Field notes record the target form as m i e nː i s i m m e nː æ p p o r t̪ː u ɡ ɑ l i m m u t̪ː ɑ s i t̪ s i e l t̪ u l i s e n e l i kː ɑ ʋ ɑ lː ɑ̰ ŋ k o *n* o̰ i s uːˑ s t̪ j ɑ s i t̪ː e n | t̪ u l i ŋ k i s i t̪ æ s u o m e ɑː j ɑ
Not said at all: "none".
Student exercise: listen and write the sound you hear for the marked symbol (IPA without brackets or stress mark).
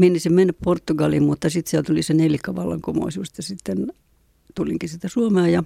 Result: m